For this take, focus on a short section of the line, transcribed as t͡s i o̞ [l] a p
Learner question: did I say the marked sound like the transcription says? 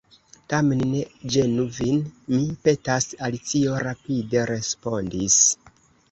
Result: no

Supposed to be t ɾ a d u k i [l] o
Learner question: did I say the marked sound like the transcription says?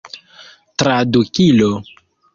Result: yes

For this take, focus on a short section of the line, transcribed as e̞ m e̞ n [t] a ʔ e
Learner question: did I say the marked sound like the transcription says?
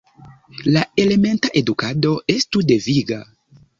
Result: yes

